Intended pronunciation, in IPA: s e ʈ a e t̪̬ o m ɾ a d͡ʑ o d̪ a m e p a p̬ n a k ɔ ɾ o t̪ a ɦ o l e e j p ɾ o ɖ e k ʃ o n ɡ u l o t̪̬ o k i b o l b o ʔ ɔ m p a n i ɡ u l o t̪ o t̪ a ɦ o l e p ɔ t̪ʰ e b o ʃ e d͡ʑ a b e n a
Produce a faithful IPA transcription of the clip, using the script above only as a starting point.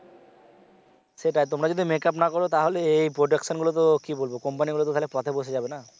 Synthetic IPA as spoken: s e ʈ a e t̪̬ o m ɾ a d͡ʑ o d̪ i m e k a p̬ n a k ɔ ɾ o t̪ a ɦ o l e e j p ɾ o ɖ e k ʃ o n ɡ u l o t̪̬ o k i b o l b o k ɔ m p a n i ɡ u l o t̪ o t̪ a ɦ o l e p ɔ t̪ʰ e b o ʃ e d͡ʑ a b e n a

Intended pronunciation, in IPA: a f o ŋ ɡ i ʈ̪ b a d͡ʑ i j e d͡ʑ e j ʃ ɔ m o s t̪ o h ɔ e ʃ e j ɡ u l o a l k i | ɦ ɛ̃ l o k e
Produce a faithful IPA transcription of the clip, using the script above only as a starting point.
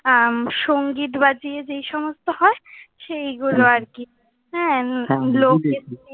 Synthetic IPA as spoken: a ʃ o ŋ ɡ i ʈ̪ b a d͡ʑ i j e d͡ʑ e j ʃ ɔ m o s t̪ o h ɔ e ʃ e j ɡ u l o a ɾ k i | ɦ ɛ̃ l o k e

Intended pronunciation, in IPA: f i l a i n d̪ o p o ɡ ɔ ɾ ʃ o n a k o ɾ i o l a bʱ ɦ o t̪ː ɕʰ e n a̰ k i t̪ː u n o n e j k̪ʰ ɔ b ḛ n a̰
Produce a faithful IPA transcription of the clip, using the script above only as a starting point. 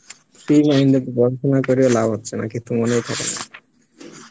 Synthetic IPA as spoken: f i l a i n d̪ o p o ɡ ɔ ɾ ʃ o n a k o ɾ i o l a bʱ ɦ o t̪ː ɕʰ e n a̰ k i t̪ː u m o n e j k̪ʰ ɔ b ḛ n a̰

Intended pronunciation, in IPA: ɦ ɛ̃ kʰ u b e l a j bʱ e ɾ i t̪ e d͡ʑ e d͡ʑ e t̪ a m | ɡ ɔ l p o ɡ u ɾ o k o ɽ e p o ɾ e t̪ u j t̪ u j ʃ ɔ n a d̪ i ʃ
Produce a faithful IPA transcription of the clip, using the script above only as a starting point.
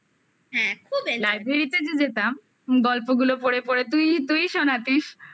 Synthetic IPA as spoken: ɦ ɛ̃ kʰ u b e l a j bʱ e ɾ i t̪ e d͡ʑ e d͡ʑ e t̪ a m | ɡ ɔ l p o ɡ u l o p o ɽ e p o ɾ e t̪ u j t̪ u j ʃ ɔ n a t̪ i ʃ

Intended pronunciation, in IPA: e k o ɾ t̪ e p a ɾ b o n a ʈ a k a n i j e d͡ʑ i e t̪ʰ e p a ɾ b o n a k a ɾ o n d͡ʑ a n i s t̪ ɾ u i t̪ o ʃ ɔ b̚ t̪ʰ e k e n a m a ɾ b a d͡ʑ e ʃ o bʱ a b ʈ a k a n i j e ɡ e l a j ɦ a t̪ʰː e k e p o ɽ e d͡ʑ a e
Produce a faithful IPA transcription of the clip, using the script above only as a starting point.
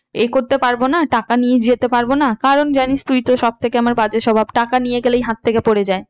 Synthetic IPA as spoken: e k o ɾ t̪ e p a ɾ b o n a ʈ a k a n i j e d͡ʑ i e t̪ e p a ɾ b o n a k a ɾ o n d͡ʑ a n i s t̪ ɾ u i t̪ o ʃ ɔ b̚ t̪ʰ e k e a m a ɾ b a d͡ʑ e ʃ ɔ bʱ a b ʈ a k a n i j e ɡ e l e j ɦ a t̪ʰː e k e p o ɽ e d͡ʑ a e

